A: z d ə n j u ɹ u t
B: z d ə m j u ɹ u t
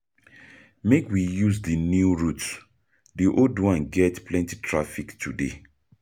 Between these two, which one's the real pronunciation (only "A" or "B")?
A